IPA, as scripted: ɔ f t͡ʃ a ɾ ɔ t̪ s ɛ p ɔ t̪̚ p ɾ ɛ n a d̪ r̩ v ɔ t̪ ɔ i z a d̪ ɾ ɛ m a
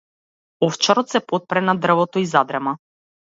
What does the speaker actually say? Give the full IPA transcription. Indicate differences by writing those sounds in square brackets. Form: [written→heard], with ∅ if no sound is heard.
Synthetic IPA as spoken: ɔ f t͡ʃ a ɾ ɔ t̪ s ɛ p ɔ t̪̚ p ɾ ɛ n a d̪ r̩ v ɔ t̪ ɔ i z a d̪ ɾ ɛ m a